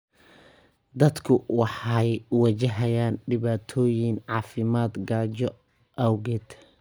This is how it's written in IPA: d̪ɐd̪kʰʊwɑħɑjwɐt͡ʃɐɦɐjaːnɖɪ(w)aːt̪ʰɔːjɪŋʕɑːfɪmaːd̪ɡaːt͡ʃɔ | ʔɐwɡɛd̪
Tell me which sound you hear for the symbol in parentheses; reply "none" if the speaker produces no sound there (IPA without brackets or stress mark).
β